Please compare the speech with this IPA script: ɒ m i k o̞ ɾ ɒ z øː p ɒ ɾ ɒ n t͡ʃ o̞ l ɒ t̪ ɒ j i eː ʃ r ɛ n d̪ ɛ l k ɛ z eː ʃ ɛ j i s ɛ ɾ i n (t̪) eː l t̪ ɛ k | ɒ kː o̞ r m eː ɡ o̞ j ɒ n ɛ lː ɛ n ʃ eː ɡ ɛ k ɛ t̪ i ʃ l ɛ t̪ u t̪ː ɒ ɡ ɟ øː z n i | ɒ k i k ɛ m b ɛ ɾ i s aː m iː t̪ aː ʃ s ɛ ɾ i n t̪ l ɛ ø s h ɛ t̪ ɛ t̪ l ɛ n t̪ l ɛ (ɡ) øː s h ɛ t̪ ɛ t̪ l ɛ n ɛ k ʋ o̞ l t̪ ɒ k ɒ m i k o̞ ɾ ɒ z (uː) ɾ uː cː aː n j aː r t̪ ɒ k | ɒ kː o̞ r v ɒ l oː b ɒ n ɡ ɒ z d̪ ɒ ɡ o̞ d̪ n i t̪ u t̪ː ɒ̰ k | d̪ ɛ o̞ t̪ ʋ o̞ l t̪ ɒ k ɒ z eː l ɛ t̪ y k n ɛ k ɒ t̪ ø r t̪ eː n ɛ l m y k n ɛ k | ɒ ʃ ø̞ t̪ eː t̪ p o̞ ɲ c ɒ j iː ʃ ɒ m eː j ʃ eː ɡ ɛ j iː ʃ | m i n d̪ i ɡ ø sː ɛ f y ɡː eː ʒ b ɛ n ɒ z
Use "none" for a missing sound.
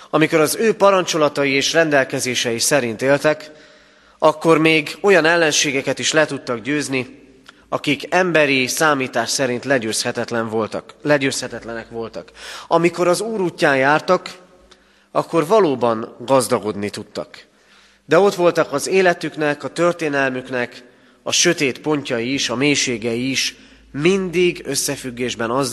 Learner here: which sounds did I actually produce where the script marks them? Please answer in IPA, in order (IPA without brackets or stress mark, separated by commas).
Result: t̪, ɟ, uː